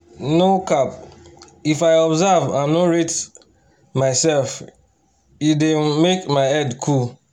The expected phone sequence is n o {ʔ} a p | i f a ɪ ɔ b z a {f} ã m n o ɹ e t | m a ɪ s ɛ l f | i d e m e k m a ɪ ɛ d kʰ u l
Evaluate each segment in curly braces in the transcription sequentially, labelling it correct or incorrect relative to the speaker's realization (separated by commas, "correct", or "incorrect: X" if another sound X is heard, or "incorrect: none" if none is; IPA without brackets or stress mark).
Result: incorrect: k, incorrect: v